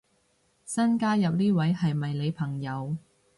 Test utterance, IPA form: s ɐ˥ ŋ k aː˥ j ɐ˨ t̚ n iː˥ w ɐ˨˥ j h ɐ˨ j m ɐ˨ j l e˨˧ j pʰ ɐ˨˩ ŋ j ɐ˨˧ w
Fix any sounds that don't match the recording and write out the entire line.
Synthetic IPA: s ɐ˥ n k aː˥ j ɐ˨ p̚ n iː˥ w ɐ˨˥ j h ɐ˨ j m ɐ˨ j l e˨˧ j pʰ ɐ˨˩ ŋ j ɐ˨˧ w